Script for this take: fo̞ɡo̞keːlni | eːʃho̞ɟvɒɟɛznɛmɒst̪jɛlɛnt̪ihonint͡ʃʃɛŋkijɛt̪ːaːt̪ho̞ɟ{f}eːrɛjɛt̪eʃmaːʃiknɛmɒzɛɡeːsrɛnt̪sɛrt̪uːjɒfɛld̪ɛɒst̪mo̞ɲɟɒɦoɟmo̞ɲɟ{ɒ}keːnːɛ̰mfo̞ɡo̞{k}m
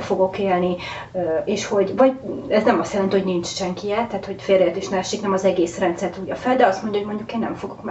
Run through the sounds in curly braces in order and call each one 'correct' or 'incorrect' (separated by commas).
correct, incorrect, correct